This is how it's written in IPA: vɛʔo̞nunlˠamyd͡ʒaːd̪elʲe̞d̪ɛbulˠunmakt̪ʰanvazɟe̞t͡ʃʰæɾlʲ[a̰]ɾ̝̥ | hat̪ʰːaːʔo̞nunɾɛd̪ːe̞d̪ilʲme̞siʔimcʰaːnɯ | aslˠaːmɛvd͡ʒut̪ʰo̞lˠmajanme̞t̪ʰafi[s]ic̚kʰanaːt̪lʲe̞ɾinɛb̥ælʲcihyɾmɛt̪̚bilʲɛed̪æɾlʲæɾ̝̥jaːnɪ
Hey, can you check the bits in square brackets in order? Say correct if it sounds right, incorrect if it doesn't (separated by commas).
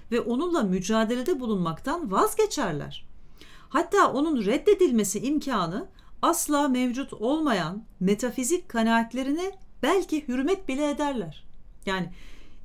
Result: incorrect, incorrect